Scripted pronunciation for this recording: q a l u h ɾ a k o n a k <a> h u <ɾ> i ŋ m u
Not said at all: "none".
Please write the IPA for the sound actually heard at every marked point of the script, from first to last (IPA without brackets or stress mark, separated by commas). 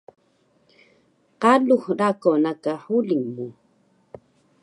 a, l